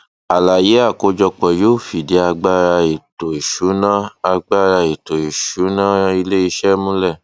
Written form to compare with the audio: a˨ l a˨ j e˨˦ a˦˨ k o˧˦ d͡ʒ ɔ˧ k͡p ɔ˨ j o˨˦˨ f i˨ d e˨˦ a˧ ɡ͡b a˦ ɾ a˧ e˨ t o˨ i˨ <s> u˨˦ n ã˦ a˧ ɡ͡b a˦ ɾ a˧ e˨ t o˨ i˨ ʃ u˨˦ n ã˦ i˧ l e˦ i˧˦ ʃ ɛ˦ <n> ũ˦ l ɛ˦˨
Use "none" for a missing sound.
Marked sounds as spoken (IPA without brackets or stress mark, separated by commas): ʃ, m